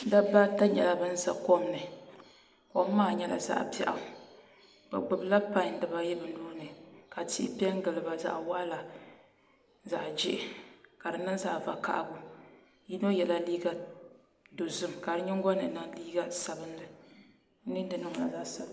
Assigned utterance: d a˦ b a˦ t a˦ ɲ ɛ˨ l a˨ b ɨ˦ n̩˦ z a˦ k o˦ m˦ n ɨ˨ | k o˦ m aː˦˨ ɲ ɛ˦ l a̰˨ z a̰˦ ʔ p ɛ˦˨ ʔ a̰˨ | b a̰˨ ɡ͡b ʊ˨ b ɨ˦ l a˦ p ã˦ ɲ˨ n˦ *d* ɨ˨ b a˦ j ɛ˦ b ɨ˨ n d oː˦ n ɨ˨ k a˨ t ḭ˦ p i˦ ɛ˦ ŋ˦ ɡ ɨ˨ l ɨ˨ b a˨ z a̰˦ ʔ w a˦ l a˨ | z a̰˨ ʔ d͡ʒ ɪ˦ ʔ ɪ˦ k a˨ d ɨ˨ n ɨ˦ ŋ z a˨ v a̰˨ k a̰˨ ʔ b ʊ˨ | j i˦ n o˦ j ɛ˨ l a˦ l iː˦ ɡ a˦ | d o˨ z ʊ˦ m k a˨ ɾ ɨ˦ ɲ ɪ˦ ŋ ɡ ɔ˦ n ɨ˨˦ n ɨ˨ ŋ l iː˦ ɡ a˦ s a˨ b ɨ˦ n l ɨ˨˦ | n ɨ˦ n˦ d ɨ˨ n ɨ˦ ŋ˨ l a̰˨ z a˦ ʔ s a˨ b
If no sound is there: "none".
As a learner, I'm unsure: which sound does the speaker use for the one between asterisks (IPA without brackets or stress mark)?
d